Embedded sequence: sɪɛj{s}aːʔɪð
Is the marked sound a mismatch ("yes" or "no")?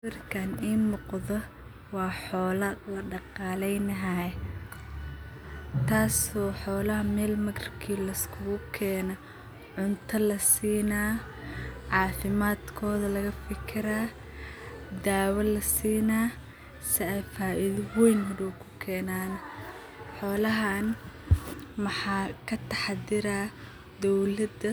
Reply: yes